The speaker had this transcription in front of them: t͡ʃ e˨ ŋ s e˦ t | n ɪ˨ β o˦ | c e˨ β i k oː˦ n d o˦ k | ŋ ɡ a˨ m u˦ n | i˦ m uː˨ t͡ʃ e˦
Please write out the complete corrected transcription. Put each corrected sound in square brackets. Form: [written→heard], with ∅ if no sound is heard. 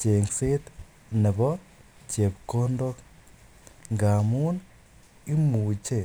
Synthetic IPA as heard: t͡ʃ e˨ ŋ s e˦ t | n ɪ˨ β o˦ | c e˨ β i k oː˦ n d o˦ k | ŋ ɡ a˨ m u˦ n | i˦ m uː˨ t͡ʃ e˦